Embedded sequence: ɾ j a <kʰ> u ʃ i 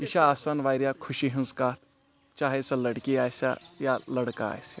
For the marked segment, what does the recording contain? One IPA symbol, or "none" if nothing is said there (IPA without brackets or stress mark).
kʰ